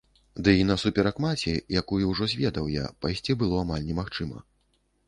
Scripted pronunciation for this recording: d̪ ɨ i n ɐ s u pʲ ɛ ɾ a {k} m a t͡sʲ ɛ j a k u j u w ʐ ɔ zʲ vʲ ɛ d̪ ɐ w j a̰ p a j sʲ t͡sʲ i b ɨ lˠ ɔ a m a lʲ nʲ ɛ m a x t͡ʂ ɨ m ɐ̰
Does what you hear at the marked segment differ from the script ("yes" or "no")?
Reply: no